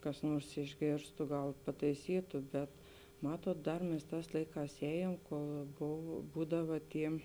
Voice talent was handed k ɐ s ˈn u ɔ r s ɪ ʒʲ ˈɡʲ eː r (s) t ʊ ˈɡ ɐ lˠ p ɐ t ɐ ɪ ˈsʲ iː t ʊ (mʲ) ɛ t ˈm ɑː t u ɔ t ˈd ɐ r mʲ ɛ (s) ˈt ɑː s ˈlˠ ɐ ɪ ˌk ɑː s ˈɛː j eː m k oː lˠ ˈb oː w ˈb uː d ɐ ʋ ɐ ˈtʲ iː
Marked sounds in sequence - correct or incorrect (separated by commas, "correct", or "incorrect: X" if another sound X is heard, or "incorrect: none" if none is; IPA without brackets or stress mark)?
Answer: correct, incorrect: bʲ, correct